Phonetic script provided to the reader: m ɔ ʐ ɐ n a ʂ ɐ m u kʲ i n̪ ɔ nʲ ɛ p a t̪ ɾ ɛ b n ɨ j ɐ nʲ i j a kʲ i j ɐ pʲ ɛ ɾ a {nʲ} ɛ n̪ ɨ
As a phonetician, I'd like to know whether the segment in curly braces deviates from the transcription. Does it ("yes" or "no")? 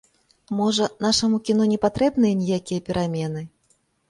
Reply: yes